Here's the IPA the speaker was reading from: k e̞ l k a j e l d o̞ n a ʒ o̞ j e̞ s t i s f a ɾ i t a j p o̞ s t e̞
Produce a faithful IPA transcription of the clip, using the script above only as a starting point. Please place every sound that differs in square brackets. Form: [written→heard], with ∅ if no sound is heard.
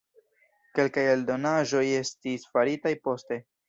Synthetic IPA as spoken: k e̞ l k a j e l d o̞ n a ʒ o̞ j e̞ s t i s f a ɾ i t a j p o̞ s t e̞